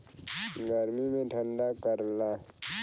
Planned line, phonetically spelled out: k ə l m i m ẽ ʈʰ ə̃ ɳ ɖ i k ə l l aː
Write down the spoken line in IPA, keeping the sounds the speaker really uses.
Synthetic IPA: ɡ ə ɾ m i m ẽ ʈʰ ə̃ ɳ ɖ a k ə ɾ l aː